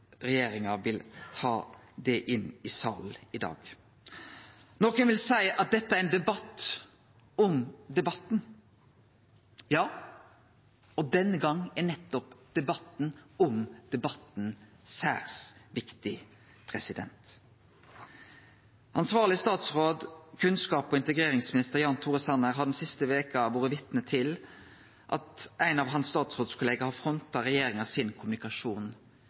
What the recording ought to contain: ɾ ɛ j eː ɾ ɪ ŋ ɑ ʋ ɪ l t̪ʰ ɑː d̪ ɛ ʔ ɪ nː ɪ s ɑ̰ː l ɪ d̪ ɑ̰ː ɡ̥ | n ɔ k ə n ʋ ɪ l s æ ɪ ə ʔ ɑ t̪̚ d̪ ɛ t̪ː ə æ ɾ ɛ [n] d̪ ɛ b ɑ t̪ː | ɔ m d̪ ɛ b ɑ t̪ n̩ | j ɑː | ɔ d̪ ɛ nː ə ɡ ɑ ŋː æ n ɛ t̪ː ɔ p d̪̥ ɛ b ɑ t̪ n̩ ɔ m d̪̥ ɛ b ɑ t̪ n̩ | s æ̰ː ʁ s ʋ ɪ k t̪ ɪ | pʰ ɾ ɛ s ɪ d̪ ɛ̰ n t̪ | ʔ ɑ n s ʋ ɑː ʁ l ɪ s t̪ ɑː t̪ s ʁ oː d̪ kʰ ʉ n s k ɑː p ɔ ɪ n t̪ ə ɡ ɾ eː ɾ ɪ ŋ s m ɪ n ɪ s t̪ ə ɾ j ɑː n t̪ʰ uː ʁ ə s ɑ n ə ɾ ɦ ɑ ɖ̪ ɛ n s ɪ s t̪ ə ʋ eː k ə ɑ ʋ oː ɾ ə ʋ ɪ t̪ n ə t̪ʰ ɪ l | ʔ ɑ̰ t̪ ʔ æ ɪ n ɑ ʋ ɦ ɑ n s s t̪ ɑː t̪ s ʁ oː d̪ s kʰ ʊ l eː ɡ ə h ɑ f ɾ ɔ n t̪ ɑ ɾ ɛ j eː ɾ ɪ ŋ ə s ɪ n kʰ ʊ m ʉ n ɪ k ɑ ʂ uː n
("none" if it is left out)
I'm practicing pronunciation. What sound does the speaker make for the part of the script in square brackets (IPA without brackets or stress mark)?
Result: n